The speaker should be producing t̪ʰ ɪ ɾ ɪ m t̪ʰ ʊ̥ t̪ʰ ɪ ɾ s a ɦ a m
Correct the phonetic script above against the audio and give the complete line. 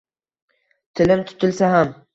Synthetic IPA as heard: t̪ʰ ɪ l ɪ m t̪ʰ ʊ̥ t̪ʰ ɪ l s a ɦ a m